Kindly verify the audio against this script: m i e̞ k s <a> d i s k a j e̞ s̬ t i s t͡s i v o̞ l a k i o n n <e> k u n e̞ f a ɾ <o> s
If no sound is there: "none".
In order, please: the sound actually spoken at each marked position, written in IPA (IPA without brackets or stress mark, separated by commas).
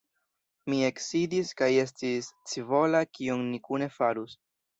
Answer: i, i, u